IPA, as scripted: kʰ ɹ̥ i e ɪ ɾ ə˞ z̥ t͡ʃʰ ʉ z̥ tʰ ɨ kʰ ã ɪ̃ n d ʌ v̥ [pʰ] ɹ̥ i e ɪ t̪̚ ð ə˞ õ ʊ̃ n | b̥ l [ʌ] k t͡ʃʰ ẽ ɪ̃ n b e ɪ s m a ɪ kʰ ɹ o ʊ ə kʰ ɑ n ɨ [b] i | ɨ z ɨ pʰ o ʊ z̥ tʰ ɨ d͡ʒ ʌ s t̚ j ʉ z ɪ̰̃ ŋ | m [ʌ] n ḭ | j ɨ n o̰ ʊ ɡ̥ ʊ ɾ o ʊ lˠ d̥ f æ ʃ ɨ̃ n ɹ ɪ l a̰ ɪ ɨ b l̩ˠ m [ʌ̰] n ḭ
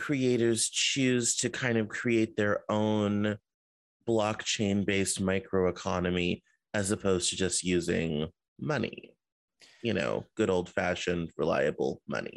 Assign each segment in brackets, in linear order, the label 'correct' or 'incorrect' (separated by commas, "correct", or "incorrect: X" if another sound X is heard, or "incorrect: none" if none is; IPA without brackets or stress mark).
incorrect: kʰ, incorrect: ɑ, incorrect: m, correct, correct